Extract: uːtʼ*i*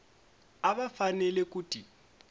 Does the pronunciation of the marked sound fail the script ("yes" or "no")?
no